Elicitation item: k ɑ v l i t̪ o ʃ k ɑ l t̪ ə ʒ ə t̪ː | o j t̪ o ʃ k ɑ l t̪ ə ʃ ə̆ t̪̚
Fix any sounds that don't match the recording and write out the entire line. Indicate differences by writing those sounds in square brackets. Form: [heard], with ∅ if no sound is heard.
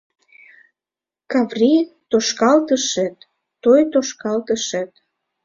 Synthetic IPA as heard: k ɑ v [r] i t̪ o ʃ k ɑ l t̪ ə [ʃ] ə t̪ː | o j t̪ o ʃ k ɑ l t̪ ə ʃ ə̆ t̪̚